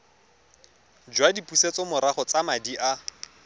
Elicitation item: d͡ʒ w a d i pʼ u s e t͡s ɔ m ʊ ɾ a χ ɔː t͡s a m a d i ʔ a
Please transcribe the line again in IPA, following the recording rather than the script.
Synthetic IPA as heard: d͡ʒ w a d i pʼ u s e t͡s ɔ m ʊ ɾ a χ ɔ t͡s a m a d i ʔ a